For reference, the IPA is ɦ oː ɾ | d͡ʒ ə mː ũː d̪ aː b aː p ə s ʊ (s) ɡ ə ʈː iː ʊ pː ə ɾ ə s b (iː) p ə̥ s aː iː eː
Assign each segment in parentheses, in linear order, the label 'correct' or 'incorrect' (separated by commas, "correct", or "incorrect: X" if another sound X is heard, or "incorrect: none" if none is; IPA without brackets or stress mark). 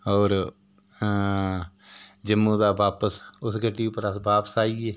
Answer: correct, incorrect: aː